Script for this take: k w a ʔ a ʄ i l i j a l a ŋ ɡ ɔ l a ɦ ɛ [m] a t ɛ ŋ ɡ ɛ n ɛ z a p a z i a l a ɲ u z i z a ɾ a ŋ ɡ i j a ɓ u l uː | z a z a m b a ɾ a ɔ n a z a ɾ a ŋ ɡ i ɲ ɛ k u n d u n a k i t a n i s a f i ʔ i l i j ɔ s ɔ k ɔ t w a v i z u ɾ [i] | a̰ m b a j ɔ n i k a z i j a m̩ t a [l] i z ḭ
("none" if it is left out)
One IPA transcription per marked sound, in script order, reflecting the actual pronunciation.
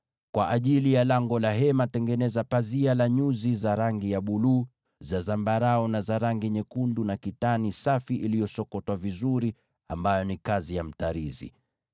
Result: m, i, ɾ

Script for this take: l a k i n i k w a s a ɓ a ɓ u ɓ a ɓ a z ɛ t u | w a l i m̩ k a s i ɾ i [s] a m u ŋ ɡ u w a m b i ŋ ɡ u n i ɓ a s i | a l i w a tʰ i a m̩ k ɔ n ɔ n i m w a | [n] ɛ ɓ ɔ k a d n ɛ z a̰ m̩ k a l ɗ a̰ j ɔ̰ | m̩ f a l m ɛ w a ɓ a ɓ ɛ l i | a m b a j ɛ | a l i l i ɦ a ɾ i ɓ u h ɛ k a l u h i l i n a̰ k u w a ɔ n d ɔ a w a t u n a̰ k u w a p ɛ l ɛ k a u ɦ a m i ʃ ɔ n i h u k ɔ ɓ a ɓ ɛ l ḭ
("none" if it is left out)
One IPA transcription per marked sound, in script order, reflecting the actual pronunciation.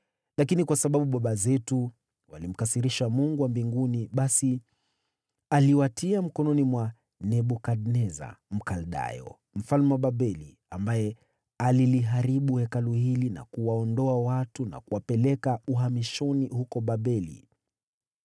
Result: ʃ, n

